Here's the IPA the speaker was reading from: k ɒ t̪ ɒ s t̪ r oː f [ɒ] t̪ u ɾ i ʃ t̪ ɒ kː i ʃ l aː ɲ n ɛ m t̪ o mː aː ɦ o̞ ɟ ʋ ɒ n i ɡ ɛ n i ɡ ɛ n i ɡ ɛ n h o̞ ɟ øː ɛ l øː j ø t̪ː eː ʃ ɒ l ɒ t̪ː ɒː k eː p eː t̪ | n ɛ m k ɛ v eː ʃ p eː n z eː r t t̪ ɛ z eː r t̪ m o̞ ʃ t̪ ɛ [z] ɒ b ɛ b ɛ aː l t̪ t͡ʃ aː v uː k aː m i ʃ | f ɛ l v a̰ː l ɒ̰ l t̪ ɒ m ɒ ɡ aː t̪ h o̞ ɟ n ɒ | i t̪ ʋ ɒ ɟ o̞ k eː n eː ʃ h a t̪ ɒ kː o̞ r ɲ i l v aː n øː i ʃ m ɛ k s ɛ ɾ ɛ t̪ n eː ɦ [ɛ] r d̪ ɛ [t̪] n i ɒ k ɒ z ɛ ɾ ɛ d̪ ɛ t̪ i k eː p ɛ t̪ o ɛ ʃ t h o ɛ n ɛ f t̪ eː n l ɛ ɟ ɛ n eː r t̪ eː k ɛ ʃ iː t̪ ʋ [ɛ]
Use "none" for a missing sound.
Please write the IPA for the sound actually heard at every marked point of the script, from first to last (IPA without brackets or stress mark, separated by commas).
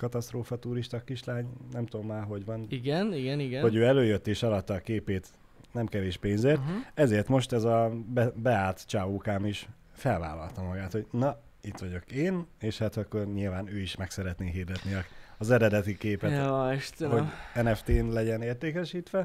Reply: ɒ, z, i, t̪, ɛ